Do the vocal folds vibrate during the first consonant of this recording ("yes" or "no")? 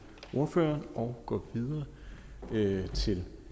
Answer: no